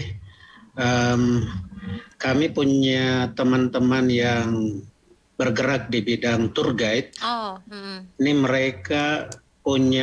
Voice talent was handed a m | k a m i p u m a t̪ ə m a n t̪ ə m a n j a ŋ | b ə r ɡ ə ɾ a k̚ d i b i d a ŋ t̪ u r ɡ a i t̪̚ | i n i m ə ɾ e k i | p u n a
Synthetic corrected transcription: ə m | k a m i p u ɲ a t̪ ə m a n t̪ ə m a n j a ŋ | b ə r ɡ ə ɾ a k̚ d i b i d a ŋ t̪ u r ɡ a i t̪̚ | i n i m ə ɾ e k a | p u ɲ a